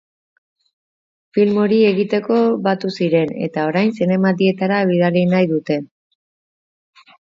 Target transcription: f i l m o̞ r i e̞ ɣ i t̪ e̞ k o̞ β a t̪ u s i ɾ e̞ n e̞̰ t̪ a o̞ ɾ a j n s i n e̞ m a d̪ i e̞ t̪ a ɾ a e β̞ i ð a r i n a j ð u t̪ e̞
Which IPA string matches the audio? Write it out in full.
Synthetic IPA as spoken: f i l m o̞ ɾ i e̞ ɣ i t̪ e̞ k o̞ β a t̪ u s i ɾ e̞ n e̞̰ t̪ a o̞ ɾ a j n s i n e̞ m a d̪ i e̞ t̪ a ɾ a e β̞ i ð a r i n a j ð u t̪ e̞